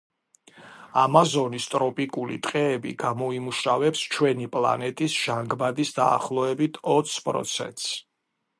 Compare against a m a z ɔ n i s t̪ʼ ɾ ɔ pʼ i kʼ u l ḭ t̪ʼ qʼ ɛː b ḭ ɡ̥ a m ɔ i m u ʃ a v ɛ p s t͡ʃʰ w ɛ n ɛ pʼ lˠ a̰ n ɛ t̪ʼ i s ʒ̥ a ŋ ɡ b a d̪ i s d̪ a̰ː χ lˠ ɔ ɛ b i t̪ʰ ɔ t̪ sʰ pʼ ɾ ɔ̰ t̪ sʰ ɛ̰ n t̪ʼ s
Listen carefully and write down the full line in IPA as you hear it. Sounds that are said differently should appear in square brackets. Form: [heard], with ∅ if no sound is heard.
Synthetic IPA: a m a z ɔ n i s t̪ʼ ɾ ɔ pʼ i kʼ u l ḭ t̪ʼ qʼ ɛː b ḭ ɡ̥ a m ɔ i m u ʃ a v ɛ p s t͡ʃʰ w ɛ n [i] pʼ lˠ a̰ n ɛ t̪ʼ i s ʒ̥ a ŋ ɡ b a d̪ i s d̪ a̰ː χ lˠ ɔ ɛ b i t̪ʰ ɔ t̪ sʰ pʼ ɾ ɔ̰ t̪ sʰ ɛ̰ n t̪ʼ s